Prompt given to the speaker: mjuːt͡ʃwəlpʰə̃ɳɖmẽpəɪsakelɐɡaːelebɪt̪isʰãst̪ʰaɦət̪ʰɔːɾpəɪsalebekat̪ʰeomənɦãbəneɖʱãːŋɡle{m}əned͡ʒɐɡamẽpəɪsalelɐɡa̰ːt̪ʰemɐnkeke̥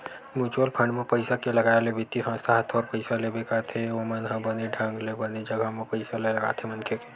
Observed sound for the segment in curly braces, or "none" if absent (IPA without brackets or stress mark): b